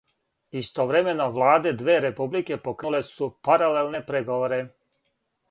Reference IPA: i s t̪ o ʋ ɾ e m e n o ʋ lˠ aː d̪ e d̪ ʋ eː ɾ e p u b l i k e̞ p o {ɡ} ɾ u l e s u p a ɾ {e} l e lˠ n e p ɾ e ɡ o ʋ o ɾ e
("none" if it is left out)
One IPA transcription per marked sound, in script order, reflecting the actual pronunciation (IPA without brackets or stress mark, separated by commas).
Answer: k, a